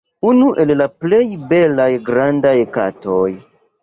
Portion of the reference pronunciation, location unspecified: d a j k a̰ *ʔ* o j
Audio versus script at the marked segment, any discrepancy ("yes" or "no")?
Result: yes